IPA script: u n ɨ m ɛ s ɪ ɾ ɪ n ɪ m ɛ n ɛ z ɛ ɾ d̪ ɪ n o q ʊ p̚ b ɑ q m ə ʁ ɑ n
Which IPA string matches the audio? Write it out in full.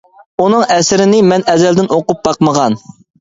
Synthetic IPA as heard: u n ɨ ŋ ɛ s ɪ ɾ ɪ n ɪ m ɛ n ɛ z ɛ l d̪ ɪ n o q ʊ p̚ b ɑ q m ə ʁ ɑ n